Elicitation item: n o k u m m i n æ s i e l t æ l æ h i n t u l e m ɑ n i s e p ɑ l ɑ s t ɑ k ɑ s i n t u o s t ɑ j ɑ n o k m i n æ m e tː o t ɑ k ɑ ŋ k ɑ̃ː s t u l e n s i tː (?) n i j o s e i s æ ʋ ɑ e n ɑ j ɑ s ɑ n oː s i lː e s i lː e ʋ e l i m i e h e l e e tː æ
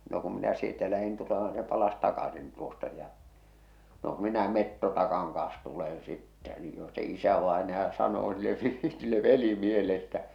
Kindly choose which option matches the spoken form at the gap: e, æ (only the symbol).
æ